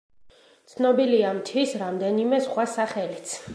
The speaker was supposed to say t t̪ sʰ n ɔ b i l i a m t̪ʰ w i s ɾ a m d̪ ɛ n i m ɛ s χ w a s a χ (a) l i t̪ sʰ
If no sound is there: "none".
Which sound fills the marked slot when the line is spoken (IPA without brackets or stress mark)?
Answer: ɛ